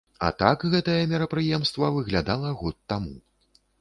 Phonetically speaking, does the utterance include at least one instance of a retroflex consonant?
no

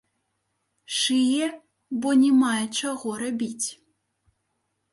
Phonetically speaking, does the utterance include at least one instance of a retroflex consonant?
yes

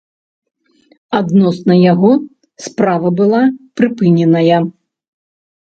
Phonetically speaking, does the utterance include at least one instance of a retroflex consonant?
no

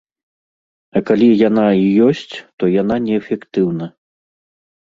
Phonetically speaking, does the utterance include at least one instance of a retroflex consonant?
no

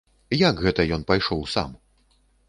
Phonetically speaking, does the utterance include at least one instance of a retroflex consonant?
yes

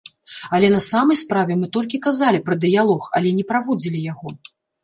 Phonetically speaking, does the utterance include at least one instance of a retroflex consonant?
no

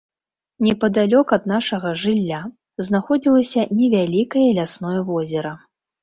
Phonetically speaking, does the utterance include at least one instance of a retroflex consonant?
yes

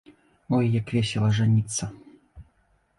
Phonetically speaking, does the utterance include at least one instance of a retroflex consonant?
yes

